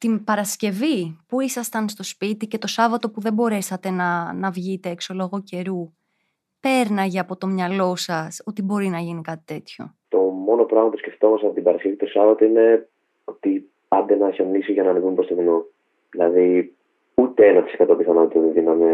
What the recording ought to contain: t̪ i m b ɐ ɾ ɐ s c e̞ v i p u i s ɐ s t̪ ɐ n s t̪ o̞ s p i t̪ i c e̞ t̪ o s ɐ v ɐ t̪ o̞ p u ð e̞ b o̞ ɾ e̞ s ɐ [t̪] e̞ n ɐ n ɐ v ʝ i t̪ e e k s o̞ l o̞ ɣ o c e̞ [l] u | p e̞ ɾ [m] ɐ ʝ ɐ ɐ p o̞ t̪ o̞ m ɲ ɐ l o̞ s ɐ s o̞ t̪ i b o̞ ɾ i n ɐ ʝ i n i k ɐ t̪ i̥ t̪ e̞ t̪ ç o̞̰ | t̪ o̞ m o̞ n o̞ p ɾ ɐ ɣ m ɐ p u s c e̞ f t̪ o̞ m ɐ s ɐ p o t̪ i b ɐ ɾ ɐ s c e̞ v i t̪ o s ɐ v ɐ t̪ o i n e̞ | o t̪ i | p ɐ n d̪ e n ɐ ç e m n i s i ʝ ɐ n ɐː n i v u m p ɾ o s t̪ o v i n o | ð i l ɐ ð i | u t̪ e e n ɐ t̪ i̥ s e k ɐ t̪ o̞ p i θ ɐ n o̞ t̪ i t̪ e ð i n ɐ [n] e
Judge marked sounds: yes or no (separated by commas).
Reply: yes, no, no, no